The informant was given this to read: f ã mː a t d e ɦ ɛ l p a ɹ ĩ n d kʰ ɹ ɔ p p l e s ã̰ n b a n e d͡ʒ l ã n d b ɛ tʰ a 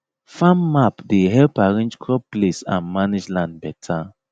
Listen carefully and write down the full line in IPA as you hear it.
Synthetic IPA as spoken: f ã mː a p d e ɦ ɛ l p a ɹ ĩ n d͡ʒ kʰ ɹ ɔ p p l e s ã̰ n m a n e d͡ʒ l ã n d b ɛ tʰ a

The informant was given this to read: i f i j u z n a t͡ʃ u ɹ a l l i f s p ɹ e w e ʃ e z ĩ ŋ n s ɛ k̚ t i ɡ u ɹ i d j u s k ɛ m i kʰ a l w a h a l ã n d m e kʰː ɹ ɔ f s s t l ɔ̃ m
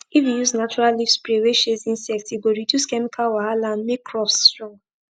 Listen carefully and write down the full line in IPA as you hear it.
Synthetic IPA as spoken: i f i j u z n a t͡ʃ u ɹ a l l i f s p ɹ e w e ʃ e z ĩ n s ɛ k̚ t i ɡ o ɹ i d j u s k ɛ m i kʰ a l w a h a l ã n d m e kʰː ɹ ɔ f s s t ɹ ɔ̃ ŋ

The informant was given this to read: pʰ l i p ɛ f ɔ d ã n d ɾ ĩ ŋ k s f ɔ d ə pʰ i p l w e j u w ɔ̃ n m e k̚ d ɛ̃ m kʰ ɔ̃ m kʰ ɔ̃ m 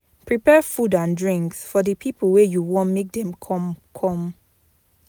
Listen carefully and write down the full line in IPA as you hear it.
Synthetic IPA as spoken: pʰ ɹ i p ɛ f u d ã n d ɹ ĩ ŋ k s f ɔ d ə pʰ i p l w e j u w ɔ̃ n m e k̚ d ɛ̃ m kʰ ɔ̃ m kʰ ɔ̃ m

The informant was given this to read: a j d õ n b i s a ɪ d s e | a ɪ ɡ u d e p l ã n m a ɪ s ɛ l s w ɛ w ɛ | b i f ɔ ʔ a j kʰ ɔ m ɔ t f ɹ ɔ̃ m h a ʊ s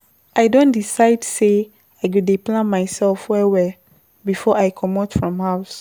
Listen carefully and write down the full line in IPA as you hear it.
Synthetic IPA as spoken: a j d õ n d i s a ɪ d s e | a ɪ ɡ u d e p l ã n m a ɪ s ɛ l f w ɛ w ɛ | b i f ɔ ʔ a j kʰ ɔ m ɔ t f ɹ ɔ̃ m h a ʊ s

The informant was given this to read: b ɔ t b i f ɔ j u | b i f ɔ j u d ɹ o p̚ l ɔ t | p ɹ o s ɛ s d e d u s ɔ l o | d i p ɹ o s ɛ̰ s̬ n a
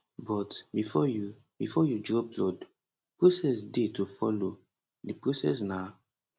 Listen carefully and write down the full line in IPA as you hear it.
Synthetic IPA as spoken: b ɔ t b i f ɔ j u | b i f ɔ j u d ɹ ɔ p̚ l ɔ d | p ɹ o s ɛ s d e t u f ɔ l o | d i p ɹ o s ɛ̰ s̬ n a

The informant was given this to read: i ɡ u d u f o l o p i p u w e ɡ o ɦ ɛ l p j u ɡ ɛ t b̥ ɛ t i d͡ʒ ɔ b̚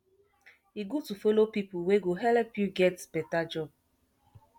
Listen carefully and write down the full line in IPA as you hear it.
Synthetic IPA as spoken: i ɡ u t u f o l o p i p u w e ɡ o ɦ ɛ l p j u ɡ ɛ t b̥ ɛ t a d͡ʒ ɔ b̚

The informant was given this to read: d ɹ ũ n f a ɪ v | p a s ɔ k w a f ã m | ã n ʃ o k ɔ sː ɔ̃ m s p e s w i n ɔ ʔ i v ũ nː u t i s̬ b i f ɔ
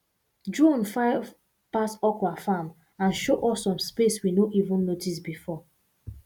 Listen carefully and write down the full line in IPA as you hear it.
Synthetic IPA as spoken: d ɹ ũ n f a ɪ v | p a s ɔ k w a f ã m | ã n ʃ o ʔ ɔ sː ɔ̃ m s p e s w i n o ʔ i v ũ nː o t i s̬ b i f ɔ

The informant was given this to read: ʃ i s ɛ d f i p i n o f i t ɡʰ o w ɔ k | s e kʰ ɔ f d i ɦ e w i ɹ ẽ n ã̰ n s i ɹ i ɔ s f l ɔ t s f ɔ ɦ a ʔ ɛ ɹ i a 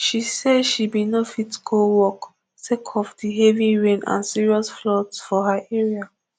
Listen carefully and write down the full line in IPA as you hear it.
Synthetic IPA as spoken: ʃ i s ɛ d ʃ i b i n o f i t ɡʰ o w ɔ k | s e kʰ ɔ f d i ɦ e v i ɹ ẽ n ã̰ n s i ɹ i ɔ s f l ɔ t s f ɔ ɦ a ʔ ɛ ɹ i a

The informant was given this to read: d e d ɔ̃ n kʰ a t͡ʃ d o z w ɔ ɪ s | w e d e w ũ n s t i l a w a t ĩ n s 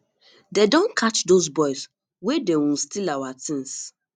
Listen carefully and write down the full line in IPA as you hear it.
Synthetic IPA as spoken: d e d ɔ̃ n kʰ a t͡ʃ d o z b ɔ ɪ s | w e d e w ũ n s t i l a w a t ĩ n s

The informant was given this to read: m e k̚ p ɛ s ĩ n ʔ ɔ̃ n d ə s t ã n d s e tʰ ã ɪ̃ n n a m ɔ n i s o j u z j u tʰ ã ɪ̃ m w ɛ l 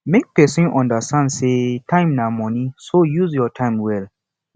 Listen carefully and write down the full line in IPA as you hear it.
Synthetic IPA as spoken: m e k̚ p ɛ s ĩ n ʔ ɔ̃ n d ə s t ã n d s e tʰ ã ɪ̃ m n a m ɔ n i s o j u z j ɔ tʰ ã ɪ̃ m w ɛ l

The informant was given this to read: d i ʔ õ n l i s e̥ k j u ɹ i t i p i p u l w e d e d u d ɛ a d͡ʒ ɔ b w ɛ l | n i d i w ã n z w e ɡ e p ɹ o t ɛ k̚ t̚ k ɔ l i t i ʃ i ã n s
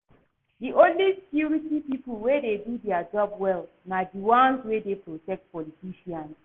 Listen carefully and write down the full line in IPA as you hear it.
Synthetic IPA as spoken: d i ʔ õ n l i s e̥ k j u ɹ i t i p i p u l w e d e d u d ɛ a d͡ʒ ɔ b w ɛ l | n a d i w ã n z w e d e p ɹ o t ɛ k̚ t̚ p ɔ l i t i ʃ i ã n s

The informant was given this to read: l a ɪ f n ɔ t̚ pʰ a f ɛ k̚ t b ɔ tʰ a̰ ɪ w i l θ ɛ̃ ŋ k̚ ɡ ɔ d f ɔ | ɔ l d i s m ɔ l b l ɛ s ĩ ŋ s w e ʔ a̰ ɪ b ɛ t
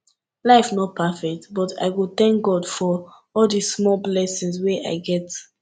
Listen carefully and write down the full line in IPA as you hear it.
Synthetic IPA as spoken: l a ɪ f n ɔ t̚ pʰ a f ɛ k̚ t b ɔ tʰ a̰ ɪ w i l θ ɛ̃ ŋ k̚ ɡ ɔ d f ɔ | ɔ l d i s m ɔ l b l ɛ s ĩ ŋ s w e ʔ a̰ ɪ ɡ ɛ t

